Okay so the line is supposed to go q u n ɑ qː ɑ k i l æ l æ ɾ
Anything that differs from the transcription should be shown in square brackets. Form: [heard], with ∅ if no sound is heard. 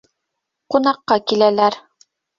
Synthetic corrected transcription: q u n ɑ qː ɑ k i l æ l æ ɾ